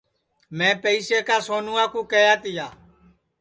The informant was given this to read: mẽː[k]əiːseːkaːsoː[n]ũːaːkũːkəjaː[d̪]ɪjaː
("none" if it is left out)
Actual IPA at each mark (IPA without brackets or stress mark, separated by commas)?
p, n, t̪